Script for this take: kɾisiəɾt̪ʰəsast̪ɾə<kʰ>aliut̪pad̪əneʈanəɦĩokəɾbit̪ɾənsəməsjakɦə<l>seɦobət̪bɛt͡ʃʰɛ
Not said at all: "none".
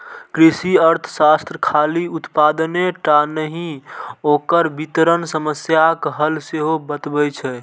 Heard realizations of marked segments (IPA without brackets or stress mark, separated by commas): kʰ, l